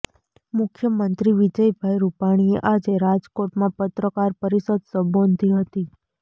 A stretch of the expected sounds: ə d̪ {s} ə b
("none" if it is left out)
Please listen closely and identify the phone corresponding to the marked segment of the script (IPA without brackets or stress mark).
s